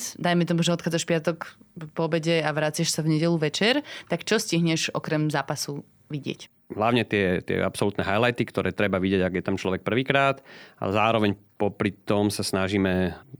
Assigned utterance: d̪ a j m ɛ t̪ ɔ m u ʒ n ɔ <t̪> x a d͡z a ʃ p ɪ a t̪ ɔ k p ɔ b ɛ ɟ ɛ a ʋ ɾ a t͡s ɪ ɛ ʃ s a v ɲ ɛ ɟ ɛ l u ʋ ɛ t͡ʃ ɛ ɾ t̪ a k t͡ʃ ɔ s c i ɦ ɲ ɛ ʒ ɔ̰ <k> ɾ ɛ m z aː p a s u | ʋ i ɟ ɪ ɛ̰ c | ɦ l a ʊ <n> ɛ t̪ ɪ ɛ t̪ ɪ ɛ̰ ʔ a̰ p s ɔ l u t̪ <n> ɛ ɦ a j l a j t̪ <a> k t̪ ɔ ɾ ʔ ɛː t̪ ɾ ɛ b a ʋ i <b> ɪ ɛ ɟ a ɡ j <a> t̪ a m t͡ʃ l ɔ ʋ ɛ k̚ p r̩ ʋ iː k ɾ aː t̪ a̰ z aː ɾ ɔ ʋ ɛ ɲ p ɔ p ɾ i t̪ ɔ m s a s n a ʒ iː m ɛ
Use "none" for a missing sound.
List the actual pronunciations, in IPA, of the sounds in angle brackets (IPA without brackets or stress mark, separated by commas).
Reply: t̪, k, ɲ, n, i, ɟ, ɛ